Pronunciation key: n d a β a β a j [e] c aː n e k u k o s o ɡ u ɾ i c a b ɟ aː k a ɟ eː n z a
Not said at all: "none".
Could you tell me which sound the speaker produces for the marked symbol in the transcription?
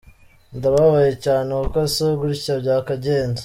e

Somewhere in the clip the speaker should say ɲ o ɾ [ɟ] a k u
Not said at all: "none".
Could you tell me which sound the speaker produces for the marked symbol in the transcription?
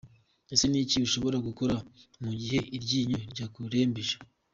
ɟ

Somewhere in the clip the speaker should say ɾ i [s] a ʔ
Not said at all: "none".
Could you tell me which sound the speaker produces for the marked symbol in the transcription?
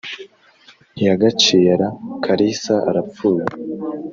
s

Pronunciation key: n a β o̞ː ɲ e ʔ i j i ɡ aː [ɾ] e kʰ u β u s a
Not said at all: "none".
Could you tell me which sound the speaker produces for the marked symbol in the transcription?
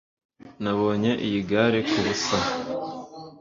ɾ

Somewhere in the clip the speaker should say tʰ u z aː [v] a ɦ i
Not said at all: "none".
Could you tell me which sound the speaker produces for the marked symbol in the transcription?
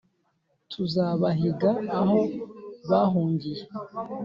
β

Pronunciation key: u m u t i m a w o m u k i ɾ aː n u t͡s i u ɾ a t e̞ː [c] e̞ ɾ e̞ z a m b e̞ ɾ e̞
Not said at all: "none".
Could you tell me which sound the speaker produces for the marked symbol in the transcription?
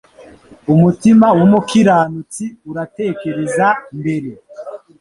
k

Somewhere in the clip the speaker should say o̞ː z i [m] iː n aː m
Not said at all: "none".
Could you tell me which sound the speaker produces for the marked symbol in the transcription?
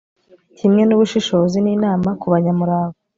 n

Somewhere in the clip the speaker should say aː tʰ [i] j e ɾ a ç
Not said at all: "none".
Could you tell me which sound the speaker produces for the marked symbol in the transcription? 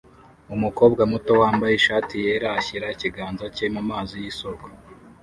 i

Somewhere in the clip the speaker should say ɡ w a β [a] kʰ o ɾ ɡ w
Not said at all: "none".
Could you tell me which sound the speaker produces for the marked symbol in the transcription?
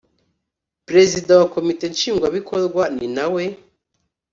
i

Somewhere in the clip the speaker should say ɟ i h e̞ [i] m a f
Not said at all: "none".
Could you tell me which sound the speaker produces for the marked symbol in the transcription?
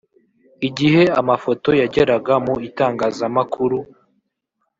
a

